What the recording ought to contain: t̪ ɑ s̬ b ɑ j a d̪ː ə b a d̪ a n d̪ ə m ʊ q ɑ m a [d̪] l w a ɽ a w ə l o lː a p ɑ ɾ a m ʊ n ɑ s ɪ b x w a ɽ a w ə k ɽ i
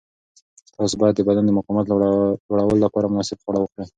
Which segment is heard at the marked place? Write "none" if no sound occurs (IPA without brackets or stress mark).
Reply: t̪